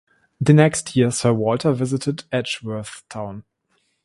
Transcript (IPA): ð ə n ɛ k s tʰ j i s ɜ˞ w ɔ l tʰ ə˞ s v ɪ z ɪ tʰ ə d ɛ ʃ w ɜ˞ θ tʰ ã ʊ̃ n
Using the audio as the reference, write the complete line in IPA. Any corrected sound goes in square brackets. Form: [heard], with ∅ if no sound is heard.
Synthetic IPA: ð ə n ɛ k s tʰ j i s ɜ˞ w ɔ l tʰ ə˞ [∅] v ɪ z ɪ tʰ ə d ɛ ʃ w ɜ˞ θ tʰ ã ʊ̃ n